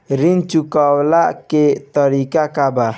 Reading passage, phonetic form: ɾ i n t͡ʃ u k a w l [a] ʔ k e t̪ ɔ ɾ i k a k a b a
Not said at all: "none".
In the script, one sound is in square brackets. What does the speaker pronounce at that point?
a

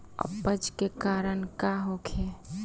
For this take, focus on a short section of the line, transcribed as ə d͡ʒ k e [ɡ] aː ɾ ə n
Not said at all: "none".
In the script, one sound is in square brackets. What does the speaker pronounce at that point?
k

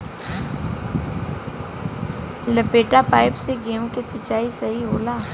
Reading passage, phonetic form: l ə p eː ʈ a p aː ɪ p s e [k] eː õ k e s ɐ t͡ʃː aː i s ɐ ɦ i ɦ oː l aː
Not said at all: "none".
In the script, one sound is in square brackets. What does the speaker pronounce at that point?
ɡ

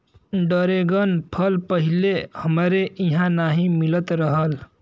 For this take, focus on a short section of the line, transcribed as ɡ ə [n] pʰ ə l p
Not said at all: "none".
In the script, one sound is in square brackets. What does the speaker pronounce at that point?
n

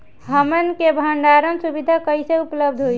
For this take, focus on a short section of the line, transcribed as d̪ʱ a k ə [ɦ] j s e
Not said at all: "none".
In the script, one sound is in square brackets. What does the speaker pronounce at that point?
none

